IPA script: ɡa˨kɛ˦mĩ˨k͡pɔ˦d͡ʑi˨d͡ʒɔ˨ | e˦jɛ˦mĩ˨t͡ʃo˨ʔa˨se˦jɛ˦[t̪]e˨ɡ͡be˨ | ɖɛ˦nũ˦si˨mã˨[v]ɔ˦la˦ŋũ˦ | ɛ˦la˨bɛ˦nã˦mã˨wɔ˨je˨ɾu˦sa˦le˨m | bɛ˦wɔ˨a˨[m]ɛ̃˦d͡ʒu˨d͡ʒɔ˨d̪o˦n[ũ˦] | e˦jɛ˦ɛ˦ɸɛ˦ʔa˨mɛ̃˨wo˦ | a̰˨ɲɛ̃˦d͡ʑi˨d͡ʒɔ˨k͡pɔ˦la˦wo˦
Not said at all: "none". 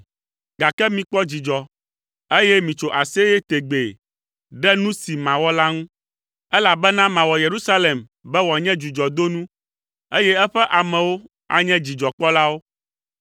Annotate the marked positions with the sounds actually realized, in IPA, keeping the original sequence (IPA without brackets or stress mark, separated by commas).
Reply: t̪, w, ɲ, ũ˦